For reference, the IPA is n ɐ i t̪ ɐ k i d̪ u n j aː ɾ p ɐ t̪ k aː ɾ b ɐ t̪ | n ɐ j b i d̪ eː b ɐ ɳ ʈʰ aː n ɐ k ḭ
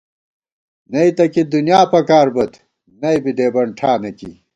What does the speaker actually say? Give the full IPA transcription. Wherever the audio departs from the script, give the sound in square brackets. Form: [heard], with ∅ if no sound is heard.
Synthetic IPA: n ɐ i t̪ ɐ k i d̪ u n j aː [∅] p ɐ [∅] k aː ɾ b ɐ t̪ | n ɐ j b i d̪ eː b ɐ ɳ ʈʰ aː n ɐ k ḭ